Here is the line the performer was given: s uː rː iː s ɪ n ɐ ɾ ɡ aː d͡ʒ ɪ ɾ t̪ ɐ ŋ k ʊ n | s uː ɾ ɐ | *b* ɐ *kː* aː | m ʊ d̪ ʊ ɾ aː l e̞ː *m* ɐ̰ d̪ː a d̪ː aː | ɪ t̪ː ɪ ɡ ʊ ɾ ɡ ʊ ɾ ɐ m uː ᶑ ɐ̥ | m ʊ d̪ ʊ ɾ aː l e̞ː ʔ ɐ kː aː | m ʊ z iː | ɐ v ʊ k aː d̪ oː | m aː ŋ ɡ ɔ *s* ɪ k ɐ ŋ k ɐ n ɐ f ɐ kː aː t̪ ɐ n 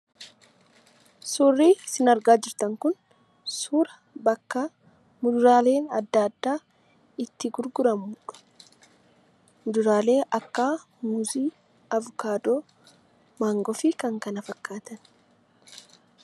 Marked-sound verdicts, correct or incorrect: correct, correct, incorrect: n, incorrect: f

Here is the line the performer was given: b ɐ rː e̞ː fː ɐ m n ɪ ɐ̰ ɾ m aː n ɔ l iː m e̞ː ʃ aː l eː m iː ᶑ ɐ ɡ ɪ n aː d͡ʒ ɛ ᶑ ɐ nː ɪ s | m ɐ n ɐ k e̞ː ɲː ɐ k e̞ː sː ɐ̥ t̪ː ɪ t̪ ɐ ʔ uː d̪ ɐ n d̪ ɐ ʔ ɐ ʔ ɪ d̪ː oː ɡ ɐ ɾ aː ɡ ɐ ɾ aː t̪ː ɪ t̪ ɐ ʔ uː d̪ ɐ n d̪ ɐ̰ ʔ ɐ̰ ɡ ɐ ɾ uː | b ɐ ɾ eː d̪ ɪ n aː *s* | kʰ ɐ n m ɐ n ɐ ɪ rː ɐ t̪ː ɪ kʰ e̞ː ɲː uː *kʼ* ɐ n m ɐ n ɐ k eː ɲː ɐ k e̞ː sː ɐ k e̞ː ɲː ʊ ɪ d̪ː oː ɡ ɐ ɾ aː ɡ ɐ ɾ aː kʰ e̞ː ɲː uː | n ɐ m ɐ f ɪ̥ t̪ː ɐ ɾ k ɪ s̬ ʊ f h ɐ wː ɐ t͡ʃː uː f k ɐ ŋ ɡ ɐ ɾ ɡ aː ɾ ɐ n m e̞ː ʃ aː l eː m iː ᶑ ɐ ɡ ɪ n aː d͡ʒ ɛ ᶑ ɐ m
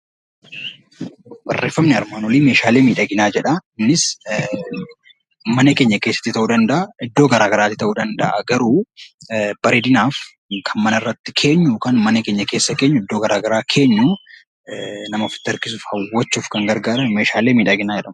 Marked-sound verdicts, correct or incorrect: incorrect: f, incorrect: k

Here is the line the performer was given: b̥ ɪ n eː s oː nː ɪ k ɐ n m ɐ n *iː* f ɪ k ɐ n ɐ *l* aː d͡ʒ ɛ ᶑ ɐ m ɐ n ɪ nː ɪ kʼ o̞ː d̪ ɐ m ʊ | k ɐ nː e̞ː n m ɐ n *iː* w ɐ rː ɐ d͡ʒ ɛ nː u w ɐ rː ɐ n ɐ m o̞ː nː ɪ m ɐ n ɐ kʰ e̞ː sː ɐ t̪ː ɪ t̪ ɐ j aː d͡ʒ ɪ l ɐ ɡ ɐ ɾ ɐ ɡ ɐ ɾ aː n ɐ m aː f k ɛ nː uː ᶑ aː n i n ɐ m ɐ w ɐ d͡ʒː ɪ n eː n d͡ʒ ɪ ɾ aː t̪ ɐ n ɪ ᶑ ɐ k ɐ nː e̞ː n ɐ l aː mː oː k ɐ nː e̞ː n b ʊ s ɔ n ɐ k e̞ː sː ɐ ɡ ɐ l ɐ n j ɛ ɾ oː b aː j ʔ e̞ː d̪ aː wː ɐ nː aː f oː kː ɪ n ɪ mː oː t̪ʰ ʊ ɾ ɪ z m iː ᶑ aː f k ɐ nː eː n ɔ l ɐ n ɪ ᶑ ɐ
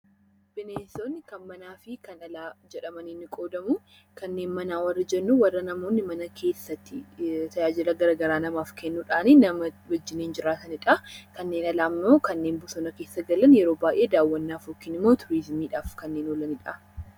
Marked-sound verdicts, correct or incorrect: incorrect: aː, correct, incorrect: aː

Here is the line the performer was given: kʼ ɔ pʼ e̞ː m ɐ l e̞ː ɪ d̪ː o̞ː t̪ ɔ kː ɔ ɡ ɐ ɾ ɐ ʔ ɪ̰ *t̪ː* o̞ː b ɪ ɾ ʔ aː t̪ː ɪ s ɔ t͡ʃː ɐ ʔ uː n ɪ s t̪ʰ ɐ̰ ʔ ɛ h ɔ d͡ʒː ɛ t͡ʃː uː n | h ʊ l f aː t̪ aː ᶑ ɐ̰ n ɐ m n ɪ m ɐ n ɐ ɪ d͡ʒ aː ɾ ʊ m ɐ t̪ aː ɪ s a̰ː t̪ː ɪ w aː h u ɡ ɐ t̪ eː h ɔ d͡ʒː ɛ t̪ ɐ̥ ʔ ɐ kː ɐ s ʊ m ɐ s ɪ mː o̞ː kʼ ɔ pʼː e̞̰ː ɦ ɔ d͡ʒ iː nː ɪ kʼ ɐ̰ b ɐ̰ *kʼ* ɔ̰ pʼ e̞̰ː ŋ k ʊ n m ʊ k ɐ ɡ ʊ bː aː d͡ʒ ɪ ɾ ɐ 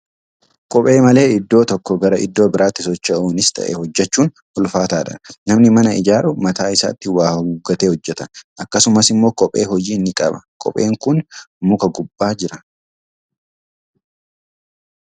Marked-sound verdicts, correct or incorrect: incorrect: d̪ː, correct

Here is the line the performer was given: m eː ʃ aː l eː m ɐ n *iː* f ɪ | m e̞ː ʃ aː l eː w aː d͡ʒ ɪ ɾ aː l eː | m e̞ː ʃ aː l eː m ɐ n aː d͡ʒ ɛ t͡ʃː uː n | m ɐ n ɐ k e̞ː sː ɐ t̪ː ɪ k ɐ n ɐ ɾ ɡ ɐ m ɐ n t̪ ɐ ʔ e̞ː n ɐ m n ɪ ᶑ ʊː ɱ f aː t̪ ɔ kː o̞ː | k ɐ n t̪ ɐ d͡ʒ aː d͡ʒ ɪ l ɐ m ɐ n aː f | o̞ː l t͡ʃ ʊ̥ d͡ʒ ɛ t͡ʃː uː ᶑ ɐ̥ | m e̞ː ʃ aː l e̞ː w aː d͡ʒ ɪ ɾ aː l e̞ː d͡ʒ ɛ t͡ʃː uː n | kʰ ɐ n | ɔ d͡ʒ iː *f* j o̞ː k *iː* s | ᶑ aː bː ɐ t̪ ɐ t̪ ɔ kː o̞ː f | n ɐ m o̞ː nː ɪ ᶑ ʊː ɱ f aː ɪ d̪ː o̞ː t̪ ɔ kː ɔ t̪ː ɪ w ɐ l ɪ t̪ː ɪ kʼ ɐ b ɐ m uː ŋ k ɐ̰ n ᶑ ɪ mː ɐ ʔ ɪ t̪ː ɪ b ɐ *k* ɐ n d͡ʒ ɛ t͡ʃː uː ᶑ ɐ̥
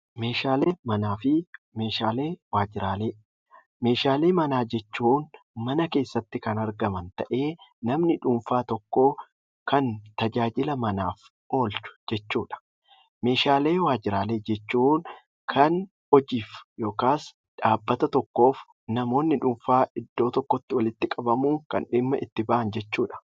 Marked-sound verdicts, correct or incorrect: incorrect: aː, correct, incorrect: aː, incorrect: ʔ

